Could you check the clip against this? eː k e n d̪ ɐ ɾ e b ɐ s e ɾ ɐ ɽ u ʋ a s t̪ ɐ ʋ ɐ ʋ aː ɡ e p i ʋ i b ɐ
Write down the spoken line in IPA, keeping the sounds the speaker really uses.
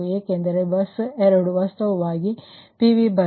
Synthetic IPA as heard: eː k e n d̪ ɐ ɾ e b ɐ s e ɾ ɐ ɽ u ʋ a s t̪ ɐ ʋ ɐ ʋ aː ɡ i p i ʋ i b ɐ